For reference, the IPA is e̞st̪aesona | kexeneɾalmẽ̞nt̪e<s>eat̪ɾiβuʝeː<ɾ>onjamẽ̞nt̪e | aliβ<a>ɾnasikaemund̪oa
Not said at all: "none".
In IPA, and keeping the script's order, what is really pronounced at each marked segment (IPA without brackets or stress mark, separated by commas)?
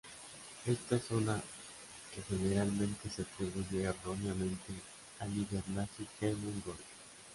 s, r, e